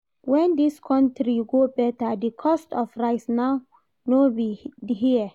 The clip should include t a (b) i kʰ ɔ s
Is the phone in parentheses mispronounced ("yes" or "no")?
yes